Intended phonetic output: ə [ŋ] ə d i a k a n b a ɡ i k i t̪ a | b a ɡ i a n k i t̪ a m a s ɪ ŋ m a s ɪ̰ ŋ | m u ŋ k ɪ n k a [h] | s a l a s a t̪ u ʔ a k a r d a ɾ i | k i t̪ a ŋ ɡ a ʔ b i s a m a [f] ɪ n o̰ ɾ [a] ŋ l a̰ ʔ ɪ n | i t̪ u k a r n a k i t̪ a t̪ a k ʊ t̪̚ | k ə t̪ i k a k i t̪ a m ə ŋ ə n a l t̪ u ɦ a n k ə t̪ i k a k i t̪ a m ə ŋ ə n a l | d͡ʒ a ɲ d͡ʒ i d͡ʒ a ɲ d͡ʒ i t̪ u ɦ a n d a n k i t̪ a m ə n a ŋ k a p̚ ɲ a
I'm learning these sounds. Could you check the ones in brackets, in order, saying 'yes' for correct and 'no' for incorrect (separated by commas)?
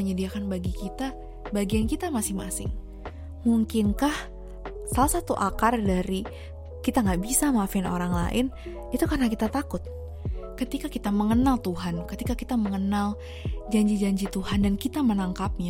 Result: no, yes, yes, yes